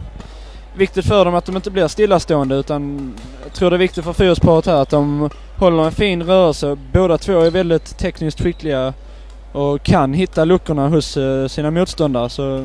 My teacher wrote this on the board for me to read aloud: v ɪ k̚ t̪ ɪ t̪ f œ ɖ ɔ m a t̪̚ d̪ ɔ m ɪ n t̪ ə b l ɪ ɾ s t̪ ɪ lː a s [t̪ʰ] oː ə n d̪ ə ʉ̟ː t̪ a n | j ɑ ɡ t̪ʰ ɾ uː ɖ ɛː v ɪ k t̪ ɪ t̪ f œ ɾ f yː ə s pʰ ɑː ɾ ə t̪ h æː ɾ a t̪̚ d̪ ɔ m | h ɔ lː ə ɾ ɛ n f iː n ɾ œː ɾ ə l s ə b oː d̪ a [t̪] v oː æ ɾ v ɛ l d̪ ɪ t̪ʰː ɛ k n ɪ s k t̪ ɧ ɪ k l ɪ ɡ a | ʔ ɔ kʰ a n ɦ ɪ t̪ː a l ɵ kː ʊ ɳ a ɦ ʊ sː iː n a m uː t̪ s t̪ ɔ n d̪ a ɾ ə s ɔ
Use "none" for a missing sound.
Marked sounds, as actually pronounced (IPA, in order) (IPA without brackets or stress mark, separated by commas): t̪, t̪ʰ